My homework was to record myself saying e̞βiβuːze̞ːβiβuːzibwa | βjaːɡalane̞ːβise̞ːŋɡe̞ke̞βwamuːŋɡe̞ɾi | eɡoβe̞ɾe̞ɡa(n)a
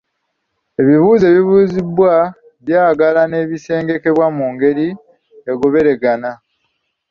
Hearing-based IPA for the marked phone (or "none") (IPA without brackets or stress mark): n